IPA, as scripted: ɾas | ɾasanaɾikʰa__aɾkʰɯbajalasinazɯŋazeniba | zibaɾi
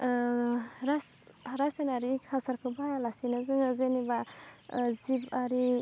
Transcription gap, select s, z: s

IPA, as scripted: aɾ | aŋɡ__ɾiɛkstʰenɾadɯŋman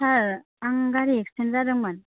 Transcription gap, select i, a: a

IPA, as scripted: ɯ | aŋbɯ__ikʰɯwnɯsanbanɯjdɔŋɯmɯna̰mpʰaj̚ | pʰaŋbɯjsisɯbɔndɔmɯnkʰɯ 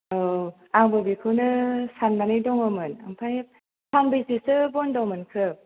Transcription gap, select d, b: b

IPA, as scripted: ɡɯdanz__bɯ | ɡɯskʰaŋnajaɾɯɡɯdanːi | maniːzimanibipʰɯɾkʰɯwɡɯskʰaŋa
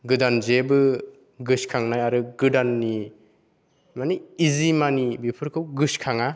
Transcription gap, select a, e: e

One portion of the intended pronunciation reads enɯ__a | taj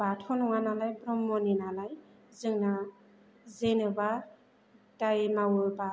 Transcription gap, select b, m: b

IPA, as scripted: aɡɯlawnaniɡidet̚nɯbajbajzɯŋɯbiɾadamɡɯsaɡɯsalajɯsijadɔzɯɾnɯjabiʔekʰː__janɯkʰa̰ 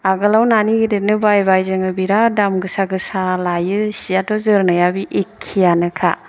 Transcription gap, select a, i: i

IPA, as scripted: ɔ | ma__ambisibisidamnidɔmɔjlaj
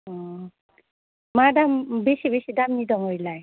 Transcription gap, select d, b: d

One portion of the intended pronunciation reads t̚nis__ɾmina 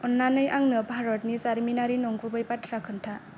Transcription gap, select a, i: a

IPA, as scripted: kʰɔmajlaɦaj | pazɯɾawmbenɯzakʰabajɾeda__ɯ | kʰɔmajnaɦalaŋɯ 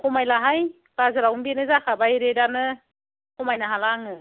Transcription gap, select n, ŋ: n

